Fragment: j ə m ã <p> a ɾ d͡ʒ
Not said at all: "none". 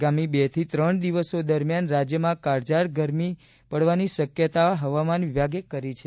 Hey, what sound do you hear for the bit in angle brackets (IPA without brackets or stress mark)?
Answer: k